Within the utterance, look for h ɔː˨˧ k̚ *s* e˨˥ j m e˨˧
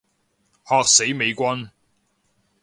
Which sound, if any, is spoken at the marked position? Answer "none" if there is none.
s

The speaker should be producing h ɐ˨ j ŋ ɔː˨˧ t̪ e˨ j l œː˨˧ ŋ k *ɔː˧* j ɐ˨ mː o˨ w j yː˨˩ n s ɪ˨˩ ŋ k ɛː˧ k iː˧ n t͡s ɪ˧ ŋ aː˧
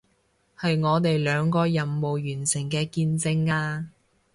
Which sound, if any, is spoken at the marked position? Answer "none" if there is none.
ɔː˧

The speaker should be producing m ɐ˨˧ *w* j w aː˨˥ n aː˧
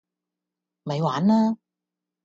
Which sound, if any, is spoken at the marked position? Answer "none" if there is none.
none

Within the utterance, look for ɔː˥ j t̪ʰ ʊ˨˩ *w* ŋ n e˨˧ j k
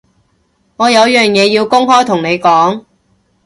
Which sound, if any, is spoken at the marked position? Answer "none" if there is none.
none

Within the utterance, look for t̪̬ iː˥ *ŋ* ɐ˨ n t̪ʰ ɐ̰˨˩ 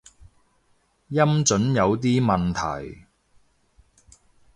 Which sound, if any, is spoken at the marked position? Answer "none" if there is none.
m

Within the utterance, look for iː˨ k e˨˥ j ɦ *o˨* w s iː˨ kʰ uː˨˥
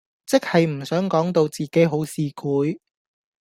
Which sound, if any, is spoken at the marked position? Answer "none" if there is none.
o˨˥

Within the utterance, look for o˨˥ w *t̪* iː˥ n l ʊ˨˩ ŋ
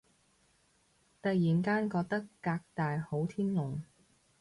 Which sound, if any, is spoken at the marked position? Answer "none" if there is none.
t̪ʰ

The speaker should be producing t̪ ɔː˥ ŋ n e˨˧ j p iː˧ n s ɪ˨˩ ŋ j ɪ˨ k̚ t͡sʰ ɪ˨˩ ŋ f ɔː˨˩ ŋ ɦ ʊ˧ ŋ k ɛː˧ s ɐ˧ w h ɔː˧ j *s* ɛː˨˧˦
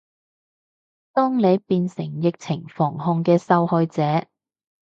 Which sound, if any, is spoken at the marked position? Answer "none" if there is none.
t͡s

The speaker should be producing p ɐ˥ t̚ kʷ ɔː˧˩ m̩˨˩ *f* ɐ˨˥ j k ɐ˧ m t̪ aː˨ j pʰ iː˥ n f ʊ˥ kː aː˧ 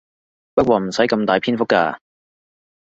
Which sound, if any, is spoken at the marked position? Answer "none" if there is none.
s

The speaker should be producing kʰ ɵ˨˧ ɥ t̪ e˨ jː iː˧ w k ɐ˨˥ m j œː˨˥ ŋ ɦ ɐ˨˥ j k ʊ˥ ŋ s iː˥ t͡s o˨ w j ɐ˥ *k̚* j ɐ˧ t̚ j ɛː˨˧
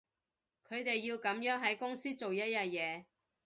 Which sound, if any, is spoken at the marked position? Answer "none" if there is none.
t̚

